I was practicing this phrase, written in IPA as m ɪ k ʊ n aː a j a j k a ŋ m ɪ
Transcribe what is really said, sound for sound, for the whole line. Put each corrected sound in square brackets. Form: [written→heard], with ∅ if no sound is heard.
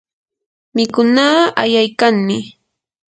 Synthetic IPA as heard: m ɪ k ʊ n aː a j a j k a ŋ m ɪ